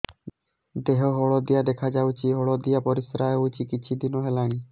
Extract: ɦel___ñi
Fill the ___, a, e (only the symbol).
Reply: a